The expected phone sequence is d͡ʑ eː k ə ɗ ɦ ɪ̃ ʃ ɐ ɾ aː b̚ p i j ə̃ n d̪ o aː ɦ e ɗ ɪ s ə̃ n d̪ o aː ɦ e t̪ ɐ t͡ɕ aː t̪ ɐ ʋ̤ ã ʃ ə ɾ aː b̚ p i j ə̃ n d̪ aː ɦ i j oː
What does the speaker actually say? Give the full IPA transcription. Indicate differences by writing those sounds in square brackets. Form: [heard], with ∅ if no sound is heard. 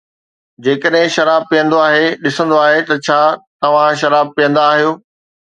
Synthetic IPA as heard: d͡ʑ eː k ə ɗ ɦ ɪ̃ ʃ ɐ ɾ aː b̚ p i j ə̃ n d̪ o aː ɦ e ɗ ɪ s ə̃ n d̪ o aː ɦ e t̪ ɐ [t͡ɕʰ] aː t̪ ɐ ʋ̤ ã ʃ [ɐ] ɾ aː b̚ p i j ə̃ n d̪ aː ɦ i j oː